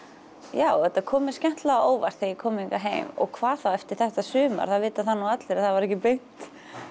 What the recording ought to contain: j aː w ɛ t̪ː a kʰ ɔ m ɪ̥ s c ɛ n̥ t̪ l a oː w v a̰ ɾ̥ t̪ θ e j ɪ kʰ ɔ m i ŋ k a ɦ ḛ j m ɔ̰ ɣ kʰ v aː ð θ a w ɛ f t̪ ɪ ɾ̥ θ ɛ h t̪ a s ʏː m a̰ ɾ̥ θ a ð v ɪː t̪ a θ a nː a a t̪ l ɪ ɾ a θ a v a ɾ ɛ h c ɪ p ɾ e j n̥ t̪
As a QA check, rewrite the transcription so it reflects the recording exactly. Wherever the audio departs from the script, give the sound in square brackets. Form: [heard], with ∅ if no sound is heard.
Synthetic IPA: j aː w ɛ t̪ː a kʰ [ɔː] m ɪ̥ s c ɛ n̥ t̪ l a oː w v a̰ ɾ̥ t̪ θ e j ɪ kʰ [ɔː] m i ŋ k a ɦ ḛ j m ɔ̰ ɣ kʰ v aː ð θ a w ɛ f t̪ ɪ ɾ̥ θ ɛ h t̪ a s ʏː m a̰ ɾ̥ θ a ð v ɪː t̪ a θ a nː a a t̪ l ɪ ɾ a θ a v a ɾ ɛ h c ɪ p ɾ e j n̥ t̪